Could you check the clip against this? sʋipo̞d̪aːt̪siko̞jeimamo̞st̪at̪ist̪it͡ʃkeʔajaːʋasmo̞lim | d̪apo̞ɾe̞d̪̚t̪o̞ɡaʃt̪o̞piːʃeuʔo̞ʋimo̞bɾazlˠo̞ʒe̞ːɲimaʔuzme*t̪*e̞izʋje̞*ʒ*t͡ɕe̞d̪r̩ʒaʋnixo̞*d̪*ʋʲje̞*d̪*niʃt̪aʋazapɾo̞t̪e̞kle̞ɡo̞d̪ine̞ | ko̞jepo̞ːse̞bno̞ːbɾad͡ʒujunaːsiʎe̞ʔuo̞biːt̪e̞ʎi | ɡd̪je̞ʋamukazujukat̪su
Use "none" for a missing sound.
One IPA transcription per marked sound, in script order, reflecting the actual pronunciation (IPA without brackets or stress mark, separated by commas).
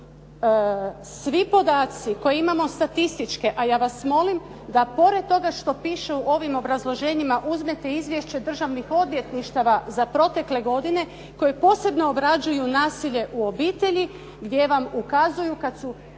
t̪, ʃ, d̪, t̪